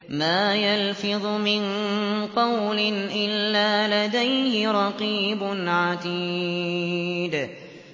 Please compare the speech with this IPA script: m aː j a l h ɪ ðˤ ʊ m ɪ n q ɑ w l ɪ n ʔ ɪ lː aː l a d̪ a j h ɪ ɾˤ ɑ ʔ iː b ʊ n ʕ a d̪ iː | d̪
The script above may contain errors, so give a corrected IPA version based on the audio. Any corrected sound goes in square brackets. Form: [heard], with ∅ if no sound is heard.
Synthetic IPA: m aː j a l [f] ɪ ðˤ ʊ m ɪ n q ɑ w l ɪ n ʔ ɪ lː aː l a d̪ a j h ɪ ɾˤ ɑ [q] iː b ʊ n ʕ a d̪ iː | d̪